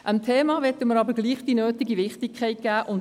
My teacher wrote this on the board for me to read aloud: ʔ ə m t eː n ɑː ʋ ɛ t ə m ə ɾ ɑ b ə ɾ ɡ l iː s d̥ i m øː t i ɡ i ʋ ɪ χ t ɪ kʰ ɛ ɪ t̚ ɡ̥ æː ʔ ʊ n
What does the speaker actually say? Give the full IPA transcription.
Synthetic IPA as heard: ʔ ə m tʰ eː m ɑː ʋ ɛ t ə m ə ɾ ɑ b ə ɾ ɡ l iː χ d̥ i n øː t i ɡ i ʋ ɪ χ t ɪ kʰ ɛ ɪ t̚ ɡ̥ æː ʔ ʊ n